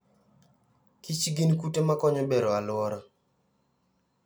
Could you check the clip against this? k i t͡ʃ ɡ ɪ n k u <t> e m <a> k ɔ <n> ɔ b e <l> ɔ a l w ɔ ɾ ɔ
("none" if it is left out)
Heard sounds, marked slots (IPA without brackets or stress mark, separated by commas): t, a, ɲ, ɾ